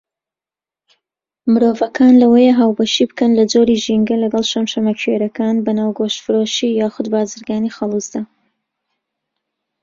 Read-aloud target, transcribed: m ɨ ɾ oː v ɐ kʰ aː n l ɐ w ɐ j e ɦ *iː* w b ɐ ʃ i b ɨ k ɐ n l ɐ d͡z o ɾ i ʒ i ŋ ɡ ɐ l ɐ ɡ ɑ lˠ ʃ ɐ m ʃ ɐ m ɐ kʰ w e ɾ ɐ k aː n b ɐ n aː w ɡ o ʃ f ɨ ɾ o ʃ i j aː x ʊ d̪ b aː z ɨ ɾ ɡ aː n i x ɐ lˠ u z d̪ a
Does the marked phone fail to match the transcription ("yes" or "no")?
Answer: yes